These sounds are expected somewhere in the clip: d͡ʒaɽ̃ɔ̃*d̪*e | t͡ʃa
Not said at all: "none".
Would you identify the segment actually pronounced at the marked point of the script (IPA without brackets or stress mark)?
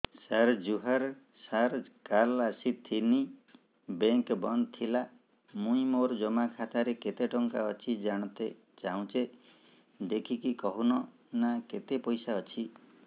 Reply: t̪